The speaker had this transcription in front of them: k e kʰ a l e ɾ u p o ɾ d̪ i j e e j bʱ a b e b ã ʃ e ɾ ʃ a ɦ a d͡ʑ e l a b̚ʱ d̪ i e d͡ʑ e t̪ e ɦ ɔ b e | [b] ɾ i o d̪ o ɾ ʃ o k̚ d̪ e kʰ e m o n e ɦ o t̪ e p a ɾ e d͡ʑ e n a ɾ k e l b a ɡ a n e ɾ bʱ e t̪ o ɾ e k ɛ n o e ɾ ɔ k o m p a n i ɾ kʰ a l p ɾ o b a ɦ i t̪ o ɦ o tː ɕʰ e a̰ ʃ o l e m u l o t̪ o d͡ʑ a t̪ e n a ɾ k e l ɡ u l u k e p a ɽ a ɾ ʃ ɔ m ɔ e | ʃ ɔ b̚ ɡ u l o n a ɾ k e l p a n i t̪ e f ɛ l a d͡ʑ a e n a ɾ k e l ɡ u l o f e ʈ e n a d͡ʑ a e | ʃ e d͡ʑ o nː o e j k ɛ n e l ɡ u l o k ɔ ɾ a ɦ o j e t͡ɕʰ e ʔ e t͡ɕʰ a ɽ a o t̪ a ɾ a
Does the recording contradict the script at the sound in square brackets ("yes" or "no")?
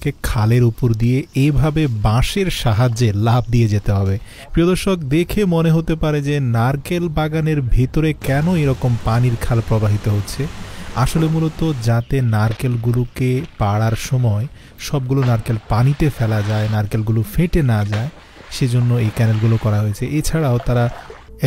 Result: yes